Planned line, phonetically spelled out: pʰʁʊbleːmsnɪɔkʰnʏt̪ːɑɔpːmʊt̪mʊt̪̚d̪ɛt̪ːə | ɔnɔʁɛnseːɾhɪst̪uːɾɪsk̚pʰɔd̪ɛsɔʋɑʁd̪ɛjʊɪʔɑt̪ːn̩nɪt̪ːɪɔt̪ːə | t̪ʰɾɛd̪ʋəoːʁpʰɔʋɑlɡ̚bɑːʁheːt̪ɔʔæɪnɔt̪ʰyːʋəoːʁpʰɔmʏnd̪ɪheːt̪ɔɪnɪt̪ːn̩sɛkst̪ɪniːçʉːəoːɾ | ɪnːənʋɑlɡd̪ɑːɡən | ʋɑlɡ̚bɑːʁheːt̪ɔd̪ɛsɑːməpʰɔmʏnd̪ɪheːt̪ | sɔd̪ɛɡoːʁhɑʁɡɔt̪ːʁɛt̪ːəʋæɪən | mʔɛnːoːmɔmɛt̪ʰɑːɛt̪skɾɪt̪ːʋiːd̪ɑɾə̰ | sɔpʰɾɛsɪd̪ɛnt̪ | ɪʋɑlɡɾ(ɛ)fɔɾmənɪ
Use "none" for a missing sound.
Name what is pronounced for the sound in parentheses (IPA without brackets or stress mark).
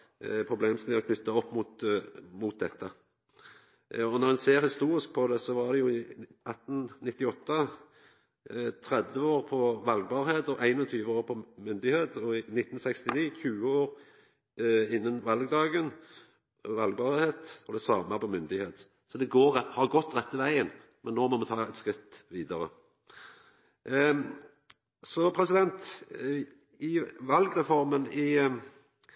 ɛ